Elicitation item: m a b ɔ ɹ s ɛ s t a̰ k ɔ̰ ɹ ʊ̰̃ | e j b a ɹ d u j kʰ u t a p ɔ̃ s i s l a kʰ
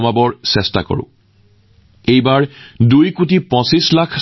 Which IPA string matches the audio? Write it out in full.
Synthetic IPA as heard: m a b ɔ ɹ s ɛ s t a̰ k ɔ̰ ɹ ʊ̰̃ | e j b a ɹ d u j k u t i p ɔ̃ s i s l a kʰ